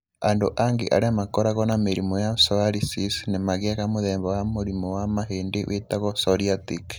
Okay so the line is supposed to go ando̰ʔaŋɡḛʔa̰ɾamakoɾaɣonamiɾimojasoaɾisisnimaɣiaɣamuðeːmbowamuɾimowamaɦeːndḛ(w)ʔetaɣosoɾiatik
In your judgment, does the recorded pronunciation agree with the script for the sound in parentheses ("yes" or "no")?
yes